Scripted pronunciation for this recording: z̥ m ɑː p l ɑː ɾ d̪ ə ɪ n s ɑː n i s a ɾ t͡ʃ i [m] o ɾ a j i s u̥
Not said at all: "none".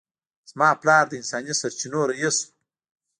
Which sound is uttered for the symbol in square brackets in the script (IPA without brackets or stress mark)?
n